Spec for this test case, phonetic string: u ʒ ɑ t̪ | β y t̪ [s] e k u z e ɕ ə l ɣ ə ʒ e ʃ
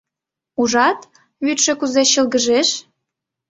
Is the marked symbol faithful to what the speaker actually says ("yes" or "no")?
no